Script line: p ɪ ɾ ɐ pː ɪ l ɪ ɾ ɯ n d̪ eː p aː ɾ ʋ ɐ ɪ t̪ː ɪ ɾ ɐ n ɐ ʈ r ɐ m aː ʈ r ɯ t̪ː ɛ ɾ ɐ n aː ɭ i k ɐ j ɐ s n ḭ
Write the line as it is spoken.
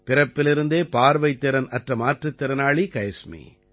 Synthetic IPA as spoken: p ɪ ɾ ɐ pː ɪ l ɪ ɾ ɯ n d̪ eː p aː ɾ ʋ ɐ ɪ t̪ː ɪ ɾ ɐ n ɐ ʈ r ɐ m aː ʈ r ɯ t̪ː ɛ ɾ ɐ n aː ɭ i k ɐ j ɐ s m ḭ